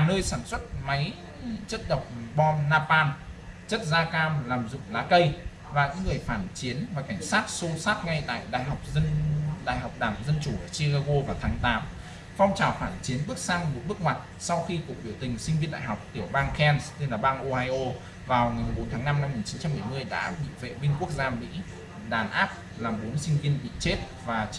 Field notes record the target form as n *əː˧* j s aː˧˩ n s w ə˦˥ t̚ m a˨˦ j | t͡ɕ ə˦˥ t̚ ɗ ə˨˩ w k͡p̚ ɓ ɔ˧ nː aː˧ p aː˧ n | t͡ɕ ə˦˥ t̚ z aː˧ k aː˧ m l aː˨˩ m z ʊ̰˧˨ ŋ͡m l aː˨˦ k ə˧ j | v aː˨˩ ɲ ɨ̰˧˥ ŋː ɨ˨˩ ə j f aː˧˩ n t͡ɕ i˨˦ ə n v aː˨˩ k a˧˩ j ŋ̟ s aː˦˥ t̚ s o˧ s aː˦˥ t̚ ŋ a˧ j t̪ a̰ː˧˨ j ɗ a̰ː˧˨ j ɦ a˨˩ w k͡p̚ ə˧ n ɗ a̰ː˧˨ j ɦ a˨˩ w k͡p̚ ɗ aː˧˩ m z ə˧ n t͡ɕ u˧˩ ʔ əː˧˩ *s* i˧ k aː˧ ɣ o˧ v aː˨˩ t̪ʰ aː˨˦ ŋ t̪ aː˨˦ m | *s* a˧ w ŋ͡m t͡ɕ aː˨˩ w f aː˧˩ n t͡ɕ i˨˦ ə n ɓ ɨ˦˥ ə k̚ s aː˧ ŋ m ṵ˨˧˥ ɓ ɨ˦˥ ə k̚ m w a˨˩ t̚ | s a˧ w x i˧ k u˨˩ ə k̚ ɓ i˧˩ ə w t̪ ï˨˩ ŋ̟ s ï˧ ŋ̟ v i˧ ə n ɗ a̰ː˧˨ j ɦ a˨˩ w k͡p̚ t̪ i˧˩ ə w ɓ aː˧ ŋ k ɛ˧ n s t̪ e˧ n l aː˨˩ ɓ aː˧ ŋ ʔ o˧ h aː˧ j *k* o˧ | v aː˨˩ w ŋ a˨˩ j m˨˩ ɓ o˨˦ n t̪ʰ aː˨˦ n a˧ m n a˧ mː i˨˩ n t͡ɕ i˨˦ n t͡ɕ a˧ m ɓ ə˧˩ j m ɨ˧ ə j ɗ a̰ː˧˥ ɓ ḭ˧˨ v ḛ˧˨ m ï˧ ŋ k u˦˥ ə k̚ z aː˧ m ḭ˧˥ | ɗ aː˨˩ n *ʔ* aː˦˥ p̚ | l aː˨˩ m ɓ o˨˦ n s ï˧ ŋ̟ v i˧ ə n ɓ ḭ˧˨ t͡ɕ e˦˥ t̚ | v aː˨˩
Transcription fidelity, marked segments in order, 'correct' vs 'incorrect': correct, correct, incorrect: f, incorrect: ʔ, correct

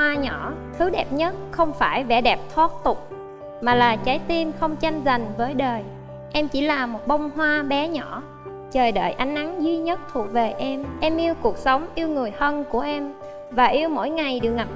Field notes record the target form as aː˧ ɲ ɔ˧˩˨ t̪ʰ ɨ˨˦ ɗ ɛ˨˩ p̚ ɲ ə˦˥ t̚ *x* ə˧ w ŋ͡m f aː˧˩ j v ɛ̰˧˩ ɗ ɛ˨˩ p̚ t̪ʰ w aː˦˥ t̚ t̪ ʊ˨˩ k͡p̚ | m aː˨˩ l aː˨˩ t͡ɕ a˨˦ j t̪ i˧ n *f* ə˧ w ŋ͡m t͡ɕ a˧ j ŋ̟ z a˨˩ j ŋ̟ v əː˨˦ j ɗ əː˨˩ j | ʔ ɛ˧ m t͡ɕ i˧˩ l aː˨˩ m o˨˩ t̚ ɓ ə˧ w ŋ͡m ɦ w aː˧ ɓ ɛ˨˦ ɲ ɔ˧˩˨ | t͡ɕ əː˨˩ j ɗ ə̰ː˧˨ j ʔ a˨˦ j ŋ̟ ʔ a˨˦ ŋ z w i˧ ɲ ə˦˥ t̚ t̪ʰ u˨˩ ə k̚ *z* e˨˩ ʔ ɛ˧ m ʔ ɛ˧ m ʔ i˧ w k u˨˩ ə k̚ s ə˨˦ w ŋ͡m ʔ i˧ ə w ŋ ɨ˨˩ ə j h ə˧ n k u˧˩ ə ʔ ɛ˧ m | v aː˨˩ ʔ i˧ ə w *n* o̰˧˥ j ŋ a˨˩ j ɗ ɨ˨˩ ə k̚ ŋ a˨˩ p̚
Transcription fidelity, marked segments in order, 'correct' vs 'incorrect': correct, incorrect: x, incorrect: v, incorrect: m

